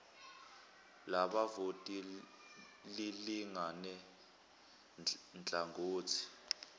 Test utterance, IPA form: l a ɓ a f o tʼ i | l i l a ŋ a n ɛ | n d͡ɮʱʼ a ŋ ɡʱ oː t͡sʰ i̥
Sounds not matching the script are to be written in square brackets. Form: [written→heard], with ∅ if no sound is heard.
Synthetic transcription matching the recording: l a ɓ a [f→v] o tʼ i | l i l [a→i] ŋ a n ɛ | n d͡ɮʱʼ a ŋ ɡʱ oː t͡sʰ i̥

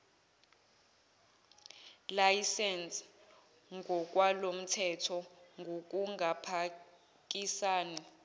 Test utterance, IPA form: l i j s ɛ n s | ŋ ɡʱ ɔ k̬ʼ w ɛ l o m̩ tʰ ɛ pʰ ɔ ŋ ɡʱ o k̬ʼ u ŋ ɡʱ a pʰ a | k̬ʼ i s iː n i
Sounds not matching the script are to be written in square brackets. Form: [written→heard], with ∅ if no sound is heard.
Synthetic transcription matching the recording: l [i→a] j s ɛ n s | ŋ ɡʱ ɔ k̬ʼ w [ɛ→a] l o m̩ tʰ ɛ [pʰ→tʰ] ɔ ŋ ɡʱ o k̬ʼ u ŋ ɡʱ a pʰ a | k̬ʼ i s [iː→aː] n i

